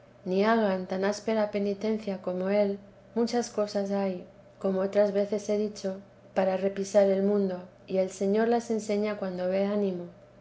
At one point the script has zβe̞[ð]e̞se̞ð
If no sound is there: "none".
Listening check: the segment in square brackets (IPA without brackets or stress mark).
θ